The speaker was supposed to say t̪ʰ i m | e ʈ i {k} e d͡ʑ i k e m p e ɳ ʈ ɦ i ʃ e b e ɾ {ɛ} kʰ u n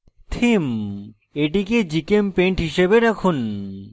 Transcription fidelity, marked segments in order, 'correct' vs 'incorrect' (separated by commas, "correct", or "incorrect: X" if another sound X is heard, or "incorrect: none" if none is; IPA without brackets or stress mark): correct, correct